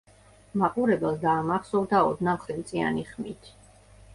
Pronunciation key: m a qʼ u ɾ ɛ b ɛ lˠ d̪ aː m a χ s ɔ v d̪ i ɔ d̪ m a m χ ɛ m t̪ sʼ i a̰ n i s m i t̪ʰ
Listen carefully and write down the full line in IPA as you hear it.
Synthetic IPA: m a qʼ u ɾ ɛ b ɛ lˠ d̪ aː m a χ s ɔ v d̪ a ɔ d̪ n a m χ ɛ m t̪ sʼ i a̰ n i χ m i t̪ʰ